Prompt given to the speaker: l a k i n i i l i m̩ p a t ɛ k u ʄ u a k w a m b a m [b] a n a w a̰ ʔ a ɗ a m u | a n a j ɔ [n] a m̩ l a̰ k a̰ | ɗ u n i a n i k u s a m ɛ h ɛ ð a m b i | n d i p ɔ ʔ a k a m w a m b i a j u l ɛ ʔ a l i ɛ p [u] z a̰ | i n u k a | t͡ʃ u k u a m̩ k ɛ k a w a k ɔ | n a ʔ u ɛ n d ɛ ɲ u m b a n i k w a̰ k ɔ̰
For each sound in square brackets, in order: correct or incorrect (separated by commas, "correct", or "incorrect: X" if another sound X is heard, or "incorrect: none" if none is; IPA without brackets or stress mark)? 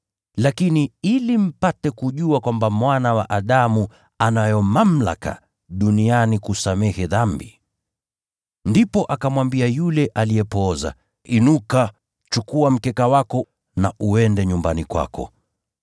incorrect: w, incorrect: m, incorrect: ɔ